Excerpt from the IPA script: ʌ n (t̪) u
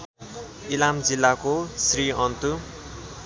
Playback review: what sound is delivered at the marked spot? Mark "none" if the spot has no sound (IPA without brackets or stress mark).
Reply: t̪